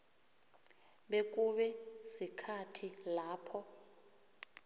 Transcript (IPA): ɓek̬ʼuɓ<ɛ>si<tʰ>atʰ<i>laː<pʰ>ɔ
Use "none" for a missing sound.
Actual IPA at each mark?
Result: ɛ, kʰ, i, pʰ

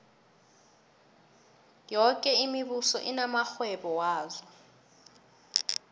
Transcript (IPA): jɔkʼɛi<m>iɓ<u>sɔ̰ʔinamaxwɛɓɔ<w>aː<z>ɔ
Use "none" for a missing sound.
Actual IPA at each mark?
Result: m, u, w, z

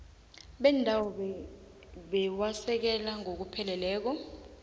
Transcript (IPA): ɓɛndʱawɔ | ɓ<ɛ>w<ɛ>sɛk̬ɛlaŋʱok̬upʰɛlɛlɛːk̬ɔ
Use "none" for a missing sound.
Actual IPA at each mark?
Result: ɛ, a

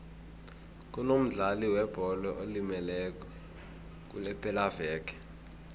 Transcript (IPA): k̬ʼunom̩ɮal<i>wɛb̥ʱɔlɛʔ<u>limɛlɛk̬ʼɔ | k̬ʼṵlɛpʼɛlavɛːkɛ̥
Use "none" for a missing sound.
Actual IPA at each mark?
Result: i, o

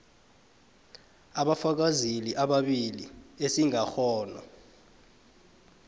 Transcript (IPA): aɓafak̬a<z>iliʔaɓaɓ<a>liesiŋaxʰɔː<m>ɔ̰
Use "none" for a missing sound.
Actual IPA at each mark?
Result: z, i, n

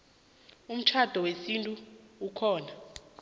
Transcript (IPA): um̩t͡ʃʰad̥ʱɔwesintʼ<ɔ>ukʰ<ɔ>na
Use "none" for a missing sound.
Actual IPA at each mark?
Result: u, ɔː

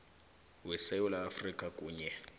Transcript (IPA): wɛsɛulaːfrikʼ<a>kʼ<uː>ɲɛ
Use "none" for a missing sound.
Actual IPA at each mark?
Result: a, uː

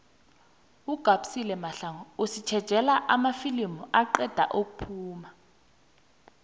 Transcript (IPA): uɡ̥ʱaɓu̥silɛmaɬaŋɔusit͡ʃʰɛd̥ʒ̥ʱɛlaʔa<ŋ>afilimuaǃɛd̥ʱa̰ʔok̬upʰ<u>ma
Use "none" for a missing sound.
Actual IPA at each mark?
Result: m, uː

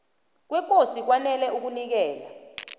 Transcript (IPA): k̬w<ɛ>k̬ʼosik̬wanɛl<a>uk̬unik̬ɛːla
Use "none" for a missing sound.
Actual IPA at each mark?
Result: ɛ, ɛ

